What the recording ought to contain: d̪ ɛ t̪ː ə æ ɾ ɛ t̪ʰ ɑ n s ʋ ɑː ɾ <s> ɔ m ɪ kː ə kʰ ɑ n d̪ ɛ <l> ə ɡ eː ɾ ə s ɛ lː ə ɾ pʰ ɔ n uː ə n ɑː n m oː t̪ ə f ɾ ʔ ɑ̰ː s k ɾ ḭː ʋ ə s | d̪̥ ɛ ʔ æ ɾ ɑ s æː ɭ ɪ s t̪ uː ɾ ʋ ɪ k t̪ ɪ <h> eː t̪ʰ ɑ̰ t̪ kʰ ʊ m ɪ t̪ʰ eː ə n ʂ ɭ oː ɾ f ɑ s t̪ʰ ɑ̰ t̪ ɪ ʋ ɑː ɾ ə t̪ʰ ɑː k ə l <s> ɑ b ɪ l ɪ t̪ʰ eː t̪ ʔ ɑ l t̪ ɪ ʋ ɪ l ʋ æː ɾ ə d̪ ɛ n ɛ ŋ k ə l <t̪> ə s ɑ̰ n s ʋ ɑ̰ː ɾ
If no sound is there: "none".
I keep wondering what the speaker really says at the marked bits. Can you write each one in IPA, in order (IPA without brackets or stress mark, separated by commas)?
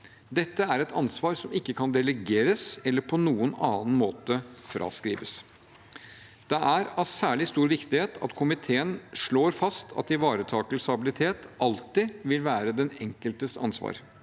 s, l, h, s, t̪